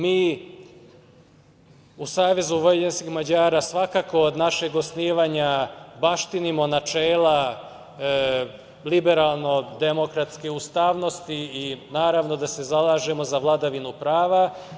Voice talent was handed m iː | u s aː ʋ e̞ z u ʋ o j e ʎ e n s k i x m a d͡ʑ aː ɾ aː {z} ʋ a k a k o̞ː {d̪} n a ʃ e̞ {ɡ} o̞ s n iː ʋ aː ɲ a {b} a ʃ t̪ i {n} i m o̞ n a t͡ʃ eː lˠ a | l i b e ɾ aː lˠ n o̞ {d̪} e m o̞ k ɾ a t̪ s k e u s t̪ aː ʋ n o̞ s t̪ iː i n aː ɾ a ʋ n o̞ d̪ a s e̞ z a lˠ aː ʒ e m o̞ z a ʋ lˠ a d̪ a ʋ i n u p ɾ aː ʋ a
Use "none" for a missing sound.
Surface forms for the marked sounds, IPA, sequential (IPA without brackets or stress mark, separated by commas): s, d̪, ɡ, b, n, d̪